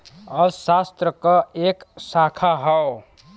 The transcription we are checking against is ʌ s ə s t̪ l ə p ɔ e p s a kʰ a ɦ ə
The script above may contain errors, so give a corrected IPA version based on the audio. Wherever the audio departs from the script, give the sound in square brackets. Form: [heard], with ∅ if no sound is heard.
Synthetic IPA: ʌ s [a] s t̪ [ɾ] ə [k] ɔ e [k] s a kʰ a ɦ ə